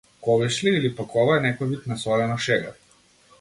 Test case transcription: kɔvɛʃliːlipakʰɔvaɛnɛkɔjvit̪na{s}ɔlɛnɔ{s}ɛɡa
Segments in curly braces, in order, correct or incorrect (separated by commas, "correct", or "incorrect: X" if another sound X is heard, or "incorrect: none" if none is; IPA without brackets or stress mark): correct, incorrect: ʃ